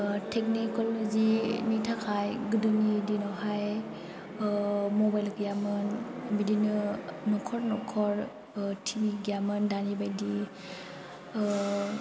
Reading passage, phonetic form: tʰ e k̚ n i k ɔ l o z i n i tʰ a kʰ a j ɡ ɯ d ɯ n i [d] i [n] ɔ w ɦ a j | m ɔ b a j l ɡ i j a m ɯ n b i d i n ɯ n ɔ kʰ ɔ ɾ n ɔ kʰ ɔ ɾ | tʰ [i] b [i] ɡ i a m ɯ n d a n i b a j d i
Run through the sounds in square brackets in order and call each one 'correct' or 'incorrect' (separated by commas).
correct, correct, correct, correct